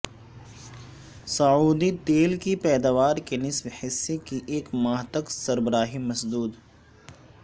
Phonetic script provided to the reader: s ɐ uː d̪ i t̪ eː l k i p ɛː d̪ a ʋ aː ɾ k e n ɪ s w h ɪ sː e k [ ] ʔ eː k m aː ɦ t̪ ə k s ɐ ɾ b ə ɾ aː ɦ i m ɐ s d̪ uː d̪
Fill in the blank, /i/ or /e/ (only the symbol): i